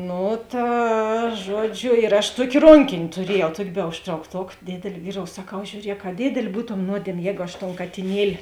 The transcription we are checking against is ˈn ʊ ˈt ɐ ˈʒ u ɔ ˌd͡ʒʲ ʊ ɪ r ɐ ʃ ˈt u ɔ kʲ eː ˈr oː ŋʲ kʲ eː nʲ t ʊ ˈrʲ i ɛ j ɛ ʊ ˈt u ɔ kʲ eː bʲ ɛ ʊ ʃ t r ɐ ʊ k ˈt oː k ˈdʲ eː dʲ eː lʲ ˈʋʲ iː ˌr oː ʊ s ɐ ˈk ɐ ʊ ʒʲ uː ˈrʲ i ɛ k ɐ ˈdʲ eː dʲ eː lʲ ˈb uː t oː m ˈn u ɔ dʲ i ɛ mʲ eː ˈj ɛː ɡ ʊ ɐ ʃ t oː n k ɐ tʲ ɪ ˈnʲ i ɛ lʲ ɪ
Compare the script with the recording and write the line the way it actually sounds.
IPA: ˈn ʊ ˈt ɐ ˈʒ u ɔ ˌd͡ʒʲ ʊ ɪ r ɐ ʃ ˈt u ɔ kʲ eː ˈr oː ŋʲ kʲ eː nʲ t ʊ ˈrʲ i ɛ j ɛ ʊ ˈt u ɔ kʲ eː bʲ ɛ ʊ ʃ t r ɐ ʊ k ˈt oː k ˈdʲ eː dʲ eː lʲ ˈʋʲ iː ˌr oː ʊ s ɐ ˈk ɐ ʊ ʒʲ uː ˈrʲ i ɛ k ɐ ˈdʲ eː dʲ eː lʲ ˈb uː t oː m ˈn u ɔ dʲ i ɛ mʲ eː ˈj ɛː ɡ ʊ ɐ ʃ t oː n k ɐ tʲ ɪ ˈnʲ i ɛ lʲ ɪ